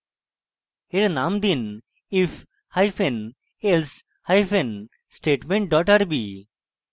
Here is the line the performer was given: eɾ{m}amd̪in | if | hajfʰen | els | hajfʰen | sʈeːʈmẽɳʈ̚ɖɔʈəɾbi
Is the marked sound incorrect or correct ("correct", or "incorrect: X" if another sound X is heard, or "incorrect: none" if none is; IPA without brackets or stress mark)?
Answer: incorrect: n